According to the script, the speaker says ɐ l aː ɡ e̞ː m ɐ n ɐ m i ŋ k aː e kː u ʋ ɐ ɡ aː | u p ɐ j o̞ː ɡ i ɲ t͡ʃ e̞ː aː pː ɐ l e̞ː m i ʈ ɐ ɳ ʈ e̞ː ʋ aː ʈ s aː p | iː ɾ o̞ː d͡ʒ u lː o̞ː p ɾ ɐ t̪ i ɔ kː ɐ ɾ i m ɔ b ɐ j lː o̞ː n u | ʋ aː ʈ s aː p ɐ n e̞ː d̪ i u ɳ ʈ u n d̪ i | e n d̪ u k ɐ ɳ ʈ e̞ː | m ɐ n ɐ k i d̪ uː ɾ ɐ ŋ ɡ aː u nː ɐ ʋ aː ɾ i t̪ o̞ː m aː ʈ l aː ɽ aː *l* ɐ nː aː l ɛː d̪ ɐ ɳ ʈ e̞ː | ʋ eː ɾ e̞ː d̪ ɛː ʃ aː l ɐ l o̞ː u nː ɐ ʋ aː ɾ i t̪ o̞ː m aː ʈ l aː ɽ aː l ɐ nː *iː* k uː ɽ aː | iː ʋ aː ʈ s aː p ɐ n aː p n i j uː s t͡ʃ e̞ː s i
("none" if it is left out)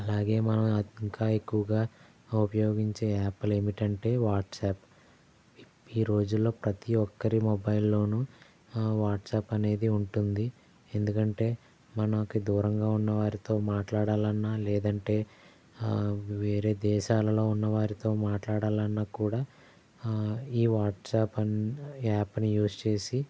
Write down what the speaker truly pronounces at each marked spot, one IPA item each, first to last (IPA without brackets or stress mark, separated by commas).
l, aː